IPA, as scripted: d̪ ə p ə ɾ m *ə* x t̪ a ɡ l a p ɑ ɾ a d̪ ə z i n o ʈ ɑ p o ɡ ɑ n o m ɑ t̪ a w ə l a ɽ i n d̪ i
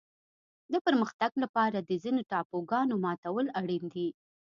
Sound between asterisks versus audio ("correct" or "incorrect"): correct